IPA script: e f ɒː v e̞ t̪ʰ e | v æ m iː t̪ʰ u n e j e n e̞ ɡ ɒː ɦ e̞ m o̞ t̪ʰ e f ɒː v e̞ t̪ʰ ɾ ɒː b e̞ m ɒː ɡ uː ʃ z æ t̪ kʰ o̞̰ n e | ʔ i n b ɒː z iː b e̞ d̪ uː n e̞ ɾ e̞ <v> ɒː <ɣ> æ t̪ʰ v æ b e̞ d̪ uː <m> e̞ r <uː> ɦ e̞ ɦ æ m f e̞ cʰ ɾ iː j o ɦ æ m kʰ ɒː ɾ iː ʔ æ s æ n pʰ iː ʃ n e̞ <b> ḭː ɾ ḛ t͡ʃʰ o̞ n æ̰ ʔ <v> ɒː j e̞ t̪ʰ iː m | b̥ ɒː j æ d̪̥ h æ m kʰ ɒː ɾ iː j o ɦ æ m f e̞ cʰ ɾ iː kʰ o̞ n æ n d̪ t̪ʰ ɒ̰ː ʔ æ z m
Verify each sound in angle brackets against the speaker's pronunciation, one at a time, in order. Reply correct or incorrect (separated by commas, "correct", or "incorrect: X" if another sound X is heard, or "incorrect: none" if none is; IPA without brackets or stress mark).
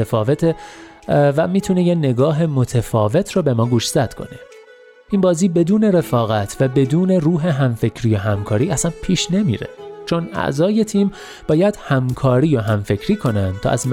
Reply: incorrect: f, correct, incorrect: n, correct, incorrect: m, incorrect: z